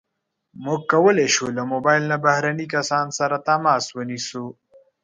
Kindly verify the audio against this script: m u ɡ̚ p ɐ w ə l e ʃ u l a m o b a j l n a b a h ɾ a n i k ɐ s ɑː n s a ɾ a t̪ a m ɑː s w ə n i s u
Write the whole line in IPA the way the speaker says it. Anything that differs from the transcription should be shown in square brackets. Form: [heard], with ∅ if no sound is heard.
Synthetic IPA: m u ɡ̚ [k] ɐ w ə l e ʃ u l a m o b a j l n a b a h ɾ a n i k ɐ s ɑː n s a ɾ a t̪ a m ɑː s w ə n i s u